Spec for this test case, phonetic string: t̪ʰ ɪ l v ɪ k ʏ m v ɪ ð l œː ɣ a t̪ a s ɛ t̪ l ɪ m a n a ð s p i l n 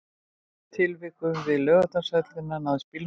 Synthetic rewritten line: t̪ʰ ɪ l v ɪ k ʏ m v ɪ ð l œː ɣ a t̪ a s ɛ t̪ l ɪ n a n a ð s p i l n